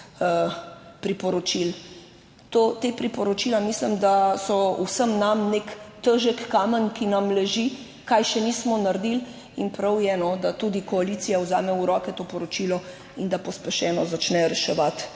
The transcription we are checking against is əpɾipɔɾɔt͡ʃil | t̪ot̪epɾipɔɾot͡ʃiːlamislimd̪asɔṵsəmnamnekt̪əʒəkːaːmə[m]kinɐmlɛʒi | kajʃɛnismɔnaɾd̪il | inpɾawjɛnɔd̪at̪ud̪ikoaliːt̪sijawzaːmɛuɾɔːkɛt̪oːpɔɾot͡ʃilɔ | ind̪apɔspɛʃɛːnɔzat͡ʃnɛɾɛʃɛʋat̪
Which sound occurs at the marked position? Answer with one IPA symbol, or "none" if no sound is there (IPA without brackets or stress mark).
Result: n